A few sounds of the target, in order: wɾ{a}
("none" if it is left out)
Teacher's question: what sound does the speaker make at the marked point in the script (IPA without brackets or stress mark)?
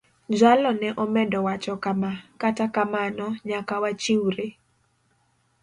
e